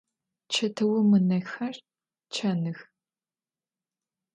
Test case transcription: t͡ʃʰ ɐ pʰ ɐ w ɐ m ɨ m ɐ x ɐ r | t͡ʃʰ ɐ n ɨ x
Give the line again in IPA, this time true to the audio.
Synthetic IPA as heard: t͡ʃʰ ɐ tʰ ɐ w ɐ m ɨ n ɐ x ɐ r | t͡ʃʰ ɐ n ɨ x